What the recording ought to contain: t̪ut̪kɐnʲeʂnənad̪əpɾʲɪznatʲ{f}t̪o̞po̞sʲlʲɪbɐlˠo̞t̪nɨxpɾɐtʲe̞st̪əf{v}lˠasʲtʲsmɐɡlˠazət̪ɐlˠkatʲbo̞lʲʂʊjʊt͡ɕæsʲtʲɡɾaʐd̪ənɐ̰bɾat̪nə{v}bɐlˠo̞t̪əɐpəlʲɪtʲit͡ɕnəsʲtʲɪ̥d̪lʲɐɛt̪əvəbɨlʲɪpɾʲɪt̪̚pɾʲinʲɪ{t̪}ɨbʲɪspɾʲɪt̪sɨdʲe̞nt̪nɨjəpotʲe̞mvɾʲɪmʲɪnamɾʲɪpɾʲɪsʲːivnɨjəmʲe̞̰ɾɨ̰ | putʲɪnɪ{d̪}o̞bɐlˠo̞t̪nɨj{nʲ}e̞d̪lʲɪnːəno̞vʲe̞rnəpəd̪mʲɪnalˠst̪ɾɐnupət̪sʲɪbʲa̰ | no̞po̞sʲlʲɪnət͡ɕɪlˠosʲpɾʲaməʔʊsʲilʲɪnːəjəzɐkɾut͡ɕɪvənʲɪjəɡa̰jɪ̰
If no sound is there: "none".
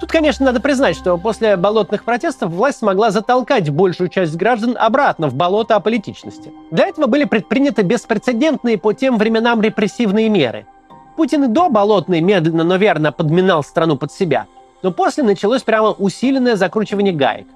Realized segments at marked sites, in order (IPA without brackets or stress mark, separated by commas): ʂ, v, v, t̪, d̪, mʲ